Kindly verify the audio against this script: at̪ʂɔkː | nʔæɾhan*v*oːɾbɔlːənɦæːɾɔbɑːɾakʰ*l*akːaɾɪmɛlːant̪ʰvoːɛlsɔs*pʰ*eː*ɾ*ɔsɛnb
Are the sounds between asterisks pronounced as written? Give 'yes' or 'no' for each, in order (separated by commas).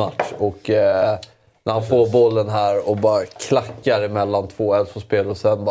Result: no, yes, no, no